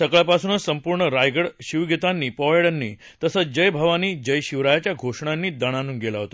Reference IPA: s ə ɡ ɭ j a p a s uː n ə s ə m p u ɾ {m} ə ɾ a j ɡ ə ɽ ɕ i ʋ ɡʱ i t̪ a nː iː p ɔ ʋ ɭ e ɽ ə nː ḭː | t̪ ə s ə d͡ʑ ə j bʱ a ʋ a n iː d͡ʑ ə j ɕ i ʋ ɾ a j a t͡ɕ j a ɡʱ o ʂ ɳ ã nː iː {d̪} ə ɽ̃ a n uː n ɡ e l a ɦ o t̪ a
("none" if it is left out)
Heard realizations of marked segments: ɳ, d̪

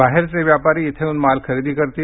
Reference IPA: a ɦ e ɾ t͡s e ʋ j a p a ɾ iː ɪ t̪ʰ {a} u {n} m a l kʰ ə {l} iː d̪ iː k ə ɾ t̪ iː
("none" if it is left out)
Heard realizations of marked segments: e, n, ɾ

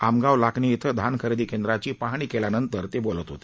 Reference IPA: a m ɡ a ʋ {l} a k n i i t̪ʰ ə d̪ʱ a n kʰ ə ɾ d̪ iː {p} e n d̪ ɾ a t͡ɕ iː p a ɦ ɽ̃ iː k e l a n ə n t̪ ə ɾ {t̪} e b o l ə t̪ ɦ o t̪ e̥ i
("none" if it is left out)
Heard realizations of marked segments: l, k, t̪

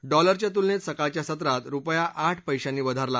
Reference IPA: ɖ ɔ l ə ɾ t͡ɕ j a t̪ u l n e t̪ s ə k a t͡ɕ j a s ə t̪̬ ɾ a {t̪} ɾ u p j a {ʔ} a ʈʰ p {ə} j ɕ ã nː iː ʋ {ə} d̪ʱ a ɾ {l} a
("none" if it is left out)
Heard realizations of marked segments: t̪, ʔ, ə, ə, l

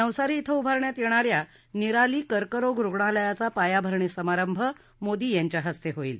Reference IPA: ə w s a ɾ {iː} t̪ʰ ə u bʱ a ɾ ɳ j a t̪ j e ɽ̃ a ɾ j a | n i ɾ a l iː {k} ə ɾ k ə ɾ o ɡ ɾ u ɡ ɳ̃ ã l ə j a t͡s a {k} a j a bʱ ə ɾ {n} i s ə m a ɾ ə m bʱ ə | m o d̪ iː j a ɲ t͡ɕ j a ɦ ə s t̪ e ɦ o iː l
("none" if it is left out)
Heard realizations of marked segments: iː, k, p, ɳ

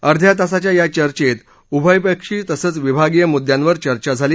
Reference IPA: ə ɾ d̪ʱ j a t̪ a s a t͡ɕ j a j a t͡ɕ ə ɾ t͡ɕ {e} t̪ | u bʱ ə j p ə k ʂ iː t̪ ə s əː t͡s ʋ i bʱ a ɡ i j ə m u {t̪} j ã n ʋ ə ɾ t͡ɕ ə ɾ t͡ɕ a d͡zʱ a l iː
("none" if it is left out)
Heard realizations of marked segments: e, d̪

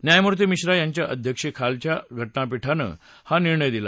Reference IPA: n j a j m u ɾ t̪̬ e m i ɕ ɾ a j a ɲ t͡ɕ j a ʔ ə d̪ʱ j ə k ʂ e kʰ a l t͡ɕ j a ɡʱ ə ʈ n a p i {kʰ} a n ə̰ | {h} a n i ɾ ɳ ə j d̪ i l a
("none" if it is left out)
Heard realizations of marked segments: ʈʰ, h

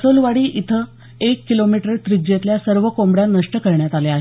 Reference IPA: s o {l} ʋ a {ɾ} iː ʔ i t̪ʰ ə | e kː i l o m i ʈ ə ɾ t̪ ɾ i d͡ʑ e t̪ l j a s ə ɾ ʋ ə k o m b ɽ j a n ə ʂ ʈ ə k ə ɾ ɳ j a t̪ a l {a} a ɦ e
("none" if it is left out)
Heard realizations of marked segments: l, ɽ, e

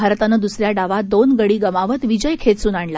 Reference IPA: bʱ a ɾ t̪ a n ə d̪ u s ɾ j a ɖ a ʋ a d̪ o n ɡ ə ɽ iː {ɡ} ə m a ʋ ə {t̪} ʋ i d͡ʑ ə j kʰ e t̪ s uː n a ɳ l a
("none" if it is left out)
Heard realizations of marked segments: ɡ, t̪

